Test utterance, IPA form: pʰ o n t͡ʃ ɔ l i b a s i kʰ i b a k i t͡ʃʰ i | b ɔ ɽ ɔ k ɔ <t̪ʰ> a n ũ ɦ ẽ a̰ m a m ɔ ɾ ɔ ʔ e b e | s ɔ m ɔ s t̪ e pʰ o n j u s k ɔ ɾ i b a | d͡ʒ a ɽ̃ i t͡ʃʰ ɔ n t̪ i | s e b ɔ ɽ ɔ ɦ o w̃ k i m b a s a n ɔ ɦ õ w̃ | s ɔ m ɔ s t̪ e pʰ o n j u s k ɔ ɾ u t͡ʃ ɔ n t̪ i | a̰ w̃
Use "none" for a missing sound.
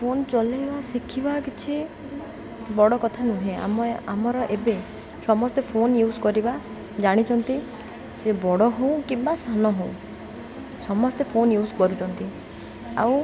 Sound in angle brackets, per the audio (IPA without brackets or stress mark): t̪ʰ